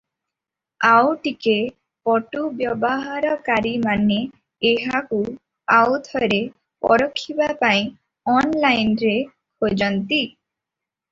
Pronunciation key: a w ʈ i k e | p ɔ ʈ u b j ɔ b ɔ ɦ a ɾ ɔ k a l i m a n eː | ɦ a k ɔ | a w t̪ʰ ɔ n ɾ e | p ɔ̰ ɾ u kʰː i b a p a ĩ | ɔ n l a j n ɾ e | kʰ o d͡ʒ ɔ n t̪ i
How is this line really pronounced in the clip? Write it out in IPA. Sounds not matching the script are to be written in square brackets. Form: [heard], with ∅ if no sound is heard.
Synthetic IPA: a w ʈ i k e | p ɔ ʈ u b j ɔ b ɔ ɦ a ɾ ɔ k a [ɾ] i m a n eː | ɦ a k [u] | a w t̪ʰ ɔ [∅] ɾ e | p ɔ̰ ɾ [ɔ] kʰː i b a p a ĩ | ɔ n l a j n ɾ e | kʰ o d͡ʒ ɔ n t̪ i